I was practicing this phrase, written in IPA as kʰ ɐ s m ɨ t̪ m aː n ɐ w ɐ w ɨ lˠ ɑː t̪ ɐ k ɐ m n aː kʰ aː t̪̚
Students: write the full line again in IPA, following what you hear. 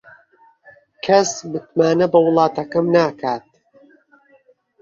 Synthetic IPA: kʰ ɐ s m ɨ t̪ m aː n ɐ b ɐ w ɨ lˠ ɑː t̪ ɐ k ɐ m n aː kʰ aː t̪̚